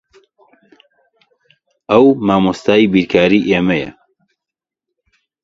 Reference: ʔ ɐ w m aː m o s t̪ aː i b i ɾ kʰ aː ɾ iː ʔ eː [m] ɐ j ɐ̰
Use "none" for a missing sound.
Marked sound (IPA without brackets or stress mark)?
m